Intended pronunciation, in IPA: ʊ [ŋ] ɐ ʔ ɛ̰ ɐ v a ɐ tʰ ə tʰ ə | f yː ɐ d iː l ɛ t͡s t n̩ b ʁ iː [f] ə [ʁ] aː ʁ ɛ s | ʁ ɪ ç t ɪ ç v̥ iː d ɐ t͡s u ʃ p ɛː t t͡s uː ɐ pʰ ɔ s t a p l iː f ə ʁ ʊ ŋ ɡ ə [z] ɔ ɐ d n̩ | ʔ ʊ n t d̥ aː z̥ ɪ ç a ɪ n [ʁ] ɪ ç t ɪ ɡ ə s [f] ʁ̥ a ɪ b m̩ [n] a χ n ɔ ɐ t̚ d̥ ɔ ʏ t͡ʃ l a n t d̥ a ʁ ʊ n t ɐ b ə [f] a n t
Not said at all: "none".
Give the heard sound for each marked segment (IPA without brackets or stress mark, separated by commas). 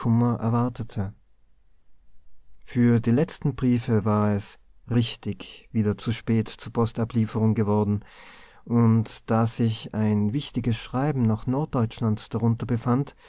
m, f, v, v, v, ʃ, n, f